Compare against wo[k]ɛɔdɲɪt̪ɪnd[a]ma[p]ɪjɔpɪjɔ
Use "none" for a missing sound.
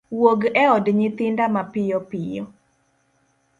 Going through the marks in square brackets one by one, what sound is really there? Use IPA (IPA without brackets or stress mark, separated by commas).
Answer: ɡ, a, p